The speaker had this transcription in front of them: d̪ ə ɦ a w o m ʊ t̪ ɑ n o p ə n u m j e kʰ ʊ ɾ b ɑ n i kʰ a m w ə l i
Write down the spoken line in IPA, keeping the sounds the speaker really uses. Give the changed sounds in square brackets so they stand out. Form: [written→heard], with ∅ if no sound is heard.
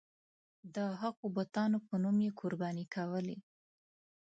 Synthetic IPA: d̪ ə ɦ a [w→ɣ] o [m→b] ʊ t̪ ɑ n o p ə n u m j e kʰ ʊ ɾ b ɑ n i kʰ a [m→∅] w ə l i